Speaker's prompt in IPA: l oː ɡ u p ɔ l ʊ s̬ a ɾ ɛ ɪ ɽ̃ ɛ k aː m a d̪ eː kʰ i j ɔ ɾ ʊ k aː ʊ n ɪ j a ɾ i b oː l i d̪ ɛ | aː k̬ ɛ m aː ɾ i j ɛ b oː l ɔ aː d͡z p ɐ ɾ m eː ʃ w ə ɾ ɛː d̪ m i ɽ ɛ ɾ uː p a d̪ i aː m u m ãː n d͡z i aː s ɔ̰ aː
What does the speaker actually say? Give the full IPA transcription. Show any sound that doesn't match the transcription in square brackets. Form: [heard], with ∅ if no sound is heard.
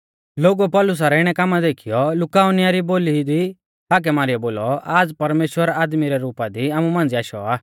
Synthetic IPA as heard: l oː ɡ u p ɔ l ʊ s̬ a ɾ ɛ ɪ ɽ̃ ɛ k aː m a d̪ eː kʰ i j ɔ [l] ʊ k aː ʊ n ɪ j a ɾ i b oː l i d̪ [i] | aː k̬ ɛ m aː ɾ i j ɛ b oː l ɔ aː d͡z p ɐ ɾ m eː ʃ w ə ɾ [aː] d̪ m i [ɾ] ɛ ɾ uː p a d̪ i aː m u m ãː n d͡z i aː [ʃ] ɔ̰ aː